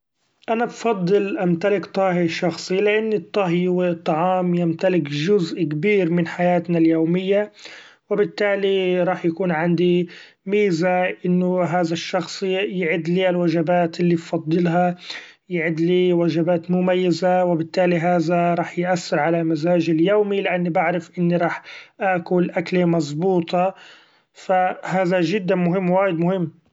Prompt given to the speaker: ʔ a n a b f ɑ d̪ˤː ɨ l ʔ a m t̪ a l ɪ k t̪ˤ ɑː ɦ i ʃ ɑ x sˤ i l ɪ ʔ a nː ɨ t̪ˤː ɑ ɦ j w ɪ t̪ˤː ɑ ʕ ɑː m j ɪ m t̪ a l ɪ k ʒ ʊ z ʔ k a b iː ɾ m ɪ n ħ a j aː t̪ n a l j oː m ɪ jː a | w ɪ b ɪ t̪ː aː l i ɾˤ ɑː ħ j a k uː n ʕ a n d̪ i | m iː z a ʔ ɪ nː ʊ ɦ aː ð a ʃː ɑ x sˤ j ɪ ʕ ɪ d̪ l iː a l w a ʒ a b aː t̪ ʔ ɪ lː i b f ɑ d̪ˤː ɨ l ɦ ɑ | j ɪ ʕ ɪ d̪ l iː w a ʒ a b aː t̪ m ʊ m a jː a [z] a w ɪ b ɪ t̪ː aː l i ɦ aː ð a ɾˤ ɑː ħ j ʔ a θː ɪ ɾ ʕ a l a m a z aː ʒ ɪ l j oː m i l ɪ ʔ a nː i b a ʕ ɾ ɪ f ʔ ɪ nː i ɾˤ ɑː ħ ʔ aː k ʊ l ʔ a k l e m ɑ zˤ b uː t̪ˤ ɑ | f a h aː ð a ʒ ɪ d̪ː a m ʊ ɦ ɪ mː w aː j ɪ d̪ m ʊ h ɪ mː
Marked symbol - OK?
yes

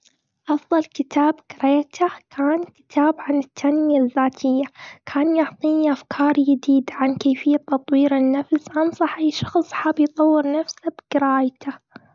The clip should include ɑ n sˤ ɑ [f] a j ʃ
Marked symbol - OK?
no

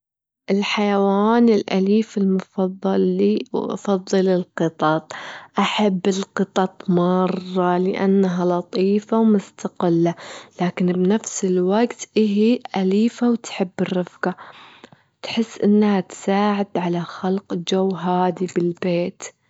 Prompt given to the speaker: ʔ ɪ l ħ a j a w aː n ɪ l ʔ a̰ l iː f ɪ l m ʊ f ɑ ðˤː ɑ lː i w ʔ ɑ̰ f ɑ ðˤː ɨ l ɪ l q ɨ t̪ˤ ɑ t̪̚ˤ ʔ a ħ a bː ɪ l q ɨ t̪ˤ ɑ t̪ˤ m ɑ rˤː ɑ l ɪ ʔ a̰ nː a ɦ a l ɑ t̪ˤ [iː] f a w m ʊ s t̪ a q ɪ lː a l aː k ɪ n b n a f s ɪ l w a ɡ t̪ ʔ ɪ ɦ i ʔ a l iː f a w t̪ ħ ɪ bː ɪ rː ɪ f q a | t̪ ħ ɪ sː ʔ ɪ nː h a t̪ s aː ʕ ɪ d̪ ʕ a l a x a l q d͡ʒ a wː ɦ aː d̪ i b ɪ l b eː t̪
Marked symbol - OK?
yes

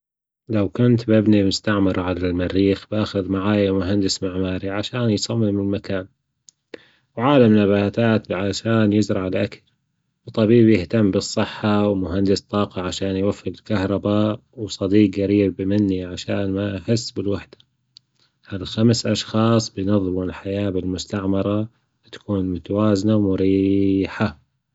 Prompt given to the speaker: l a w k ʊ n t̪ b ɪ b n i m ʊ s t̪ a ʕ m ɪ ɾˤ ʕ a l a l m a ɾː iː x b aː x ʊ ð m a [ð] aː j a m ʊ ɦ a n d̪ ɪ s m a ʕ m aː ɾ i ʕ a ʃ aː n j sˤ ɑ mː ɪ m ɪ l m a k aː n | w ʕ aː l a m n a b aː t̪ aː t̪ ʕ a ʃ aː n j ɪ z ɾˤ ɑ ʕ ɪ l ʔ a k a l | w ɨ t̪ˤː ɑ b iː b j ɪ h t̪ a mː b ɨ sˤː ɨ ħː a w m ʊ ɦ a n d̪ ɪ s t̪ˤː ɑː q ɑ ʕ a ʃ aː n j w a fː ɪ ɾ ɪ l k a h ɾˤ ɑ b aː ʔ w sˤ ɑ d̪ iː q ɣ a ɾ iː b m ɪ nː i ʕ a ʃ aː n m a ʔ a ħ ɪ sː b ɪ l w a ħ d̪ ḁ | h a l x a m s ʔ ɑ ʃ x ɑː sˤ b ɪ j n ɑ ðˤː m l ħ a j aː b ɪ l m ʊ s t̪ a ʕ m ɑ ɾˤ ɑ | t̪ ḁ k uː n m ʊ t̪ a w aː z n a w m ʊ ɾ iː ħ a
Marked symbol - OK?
no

